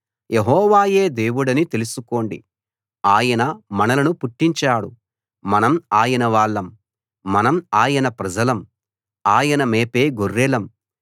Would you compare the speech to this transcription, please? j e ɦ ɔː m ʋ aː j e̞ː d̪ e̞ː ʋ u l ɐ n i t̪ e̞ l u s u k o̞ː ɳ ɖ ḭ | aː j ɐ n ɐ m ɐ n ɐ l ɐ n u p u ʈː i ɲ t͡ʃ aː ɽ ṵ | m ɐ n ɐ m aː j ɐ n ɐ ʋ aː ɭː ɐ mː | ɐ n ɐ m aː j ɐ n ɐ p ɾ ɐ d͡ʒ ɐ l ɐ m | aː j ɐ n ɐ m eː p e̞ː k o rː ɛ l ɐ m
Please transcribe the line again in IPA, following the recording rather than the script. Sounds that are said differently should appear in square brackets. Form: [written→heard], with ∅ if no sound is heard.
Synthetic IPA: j e ɦ ɔː [m→∅] ʋ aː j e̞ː d̪ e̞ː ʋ u [l→ɽ] ɐ n i t̪ e̞ l u s u k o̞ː ɳ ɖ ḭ | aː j ɐ n ɐ m ɐ n ɐ l ɐ n u p u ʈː i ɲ t͡ʃ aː ɽ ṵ | m ɐ n ɐ m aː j ɐ n ɐ ʋ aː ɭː ɐ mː | ɐ n ɐ m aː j ɐ n ɐ p ɾ ɐ d͡ʒ ɐ l ɐ m | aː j ɐ n ɐ m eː p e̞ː [k→ɡ] o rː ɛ l ɐ m